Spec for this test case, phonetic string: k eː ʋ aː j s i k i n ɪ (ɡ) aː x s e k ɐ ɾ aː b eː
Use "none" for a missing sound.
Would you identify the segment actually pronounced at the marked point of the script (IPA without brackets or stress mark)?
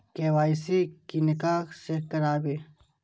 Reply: k